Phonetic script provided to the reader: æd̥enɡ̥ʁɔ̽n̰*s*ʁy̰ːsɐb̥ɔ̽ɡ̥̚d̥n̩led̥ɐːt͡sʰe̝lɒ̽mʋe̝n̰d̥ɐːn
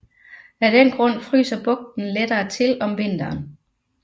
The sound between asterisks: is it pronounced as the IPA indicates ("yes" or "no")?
no